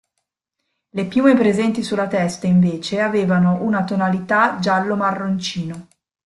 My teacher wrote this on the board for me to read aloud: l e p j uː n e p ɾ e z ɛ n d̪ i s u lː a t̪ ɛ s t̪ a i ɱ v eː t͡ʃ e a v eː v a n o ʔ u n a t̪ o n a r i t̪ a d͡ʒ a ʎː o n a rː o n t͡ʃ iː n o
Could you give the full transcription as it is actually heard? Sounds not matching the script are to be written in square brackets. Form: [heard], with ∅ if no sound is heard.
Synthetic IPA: l e p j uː [m] e p ɾ e z ɛ n [t̪] i s u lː a t̪ ɛ s t̪ a i ɱ v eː t͡ʃ e a v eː v a n o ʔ u n a t̪ o n a [l] i t̪ a d͡ʒ a [lː] o [m] a rː o n t͡ʃ iː n o

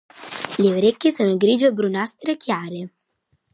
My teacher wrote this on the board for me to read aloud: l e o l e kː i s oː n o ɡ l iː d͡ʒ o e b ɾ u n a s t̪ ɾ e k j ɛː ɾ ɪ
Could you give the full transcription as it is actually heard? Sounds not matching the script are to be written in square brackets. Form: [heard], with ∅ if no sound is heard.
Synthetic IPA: l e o [ɾ] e kː i s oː n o ɡ [ɾ] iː d͡ʒ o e b ɾ u n a s t̪ ɾ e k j [aː] ɾ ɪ

